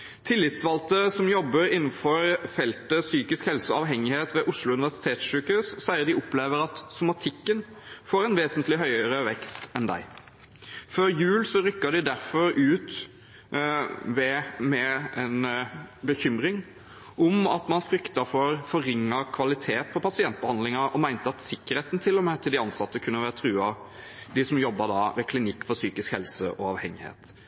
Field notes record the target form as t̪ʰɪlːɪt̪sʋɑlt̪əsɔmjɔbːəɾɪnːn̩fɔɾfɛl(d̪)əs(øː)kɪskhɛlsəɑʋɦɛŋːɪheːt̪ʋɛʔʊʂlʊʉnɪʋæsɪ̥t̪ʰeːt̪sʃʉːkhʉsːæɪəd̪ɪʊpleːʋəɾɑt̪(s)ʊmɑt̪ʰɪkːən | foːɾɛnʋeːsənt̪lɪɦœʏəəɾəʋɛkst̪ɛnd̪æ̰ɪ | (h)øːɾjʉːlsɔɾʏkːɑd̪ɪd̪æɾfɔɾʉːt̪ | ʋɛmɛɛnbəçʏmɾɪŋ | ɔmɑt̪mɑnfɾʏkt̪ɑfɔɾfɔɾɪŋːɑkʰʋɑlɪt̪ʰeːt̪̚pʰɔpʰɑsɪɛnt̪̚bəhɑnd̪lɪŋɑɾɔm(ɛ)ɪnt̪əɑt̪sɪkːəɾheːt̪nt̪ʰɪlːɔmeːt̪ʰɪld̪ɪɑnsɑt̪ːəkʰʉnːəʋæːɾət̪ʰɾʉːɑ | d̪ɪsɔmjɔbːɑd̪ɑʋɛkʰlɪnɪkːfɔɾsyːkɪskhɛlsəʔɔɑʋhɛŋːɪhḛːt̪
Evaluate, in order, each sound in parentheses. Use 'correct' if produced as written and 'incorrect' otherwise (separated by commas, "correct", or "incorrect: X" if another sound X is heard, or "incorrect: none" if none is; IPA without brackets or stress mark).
incorrect: t̪, incorrect: yː, correct, incorrect: f, incorrect: æ